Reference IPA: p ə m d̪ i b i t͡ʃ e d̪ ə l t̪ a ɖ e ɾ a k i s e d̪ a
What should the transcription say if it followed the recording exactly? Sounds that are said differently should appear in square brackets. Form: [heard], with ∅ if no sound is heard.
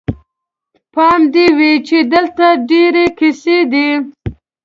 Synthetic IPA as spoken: p [ɑ] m d̪ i [w] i t͡ʃ e d̪ ə l t̪ a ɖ e ɾ [e] k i s e d̪ [i]